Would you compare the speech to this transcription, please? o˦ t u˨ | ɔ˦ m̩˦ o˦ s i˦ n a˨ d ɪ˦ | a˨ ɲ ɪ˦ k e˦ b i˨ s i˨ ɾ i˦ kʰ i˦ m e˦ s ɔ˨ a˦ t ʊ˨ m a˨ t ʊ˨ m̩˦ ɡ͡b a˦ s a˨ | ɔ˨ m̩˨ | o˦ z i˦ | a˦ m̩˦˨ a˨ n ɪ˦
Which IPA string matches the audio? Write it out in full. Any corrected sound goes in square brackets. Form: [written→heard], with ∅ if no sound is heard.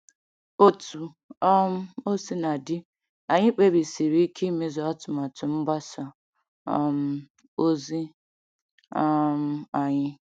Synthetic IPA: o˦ t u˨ | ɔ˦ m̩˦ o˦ s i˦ n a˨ d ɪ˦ | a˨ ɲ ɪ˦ [k→k͡p] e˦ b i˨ s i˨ ɾ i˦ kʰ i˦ m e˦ [s→z] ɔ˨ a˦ t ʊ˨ m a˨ t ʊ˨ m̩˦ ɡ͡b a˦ s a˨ | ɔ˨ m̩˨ | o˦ z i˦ | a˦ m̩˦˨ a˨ [n→ɲ] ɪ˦